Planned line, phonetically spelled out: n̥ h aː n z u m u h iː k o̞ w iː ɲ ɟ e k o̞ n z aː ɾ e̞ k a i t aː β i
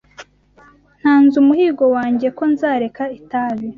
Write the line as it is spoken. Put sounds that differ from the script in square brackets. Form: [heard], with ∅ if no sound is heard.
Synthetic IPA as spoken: n̥ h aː n z u m u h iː [ɡ] o̞ w [aː] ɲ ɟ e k o̞ n z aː ɾ e̞ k a i t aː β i